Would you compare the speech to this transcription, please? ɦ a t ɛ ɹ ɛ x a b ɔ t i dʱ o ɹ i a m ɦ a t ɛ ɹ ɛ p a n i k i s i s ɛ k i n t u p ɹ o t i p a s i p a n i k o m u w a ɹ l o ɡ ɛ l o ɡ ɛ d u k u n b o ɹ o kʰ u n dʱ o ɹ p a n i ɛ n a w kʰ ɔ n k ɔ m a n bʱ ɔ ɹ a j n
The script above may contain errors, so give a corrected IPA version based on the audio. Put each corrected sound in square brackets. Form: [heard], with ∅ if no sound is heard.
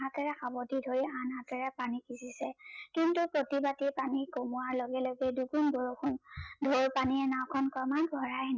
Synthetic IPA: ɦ a t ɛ ɹ ɛ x a b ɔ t i dʱ o ɹ i a [n] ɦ a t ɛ ɹ ɛ p a n i k i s i s ɛ k i n t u p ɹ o t i [b] a [t] i p a n i k o m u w a ɹ l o ɡ ɛ l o ɡ ɛ d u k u n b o ɹ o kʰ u n dʱ o ɹ p a n i ɛ n a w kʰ ɔ n k ɔ m a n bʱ ɔ ɹ a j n